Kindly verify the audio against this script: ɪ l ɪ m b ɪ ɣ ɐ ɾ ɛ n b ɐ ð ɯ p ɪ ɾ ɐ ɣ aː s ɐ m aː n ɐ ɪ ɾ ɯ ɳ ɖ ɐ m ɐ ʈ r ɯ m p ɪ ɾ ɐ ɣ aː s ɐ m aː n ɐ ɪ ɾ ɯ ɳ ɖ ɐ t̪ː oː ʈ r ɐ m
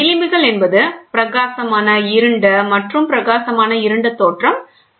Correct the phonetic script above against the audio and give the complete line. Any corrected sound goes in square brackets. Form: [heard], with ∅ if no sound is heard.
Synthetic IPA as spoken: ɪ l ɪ m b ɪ ɣ ɐ [ɭ] ɛ n b ɐ ð ɯ p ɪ ɾ ɐ ɣ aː s ɐ m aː n ɐ ɪ ɾ ɯ ɳ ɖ ɐ m ɐ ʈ r ɯ m p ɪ ɾ ɐ ɣ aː s ɐ m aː n ɐ ɪ ɾ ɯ ɳ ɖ ɐ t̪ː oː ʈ r ɐ m